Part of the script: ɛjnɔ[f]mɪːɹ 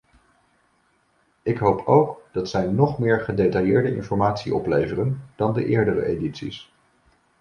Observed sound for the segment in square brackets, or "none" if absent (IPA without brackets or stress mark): χ